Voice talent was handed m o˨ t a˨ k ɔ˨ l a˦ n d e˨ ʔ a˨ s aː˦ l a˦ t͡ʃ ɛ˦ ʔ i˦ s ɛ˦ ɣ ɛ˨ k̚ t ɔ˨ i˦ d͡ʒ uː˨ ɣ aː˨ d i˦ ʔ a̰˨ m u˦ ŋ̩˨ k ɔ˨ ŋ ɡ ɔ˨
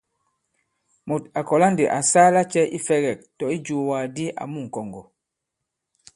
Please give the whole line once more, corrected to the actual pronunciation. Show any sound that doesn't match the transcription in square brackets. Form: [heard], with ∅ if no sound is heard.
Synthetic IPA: m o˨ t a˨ k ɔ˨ l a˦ n d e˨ ʔ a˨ s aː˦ l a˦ t͡ʃ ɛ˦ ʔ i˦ [f] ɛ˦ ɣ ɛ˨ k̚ t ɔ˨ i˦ d͡ʒ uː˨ [w] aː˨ d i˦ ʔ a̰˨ m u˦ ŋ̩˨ k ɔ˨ ŋ ɡ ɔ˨